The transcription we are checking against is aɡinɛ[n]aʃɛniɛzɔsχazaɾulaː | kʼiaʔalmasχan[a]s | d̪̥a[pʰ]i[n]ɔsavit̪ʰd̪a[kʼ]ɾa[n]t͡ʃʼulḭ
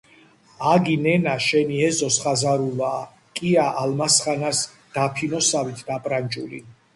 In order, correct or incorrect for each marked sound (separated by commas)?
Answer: correct, correct, correct, correct, incorrect, correct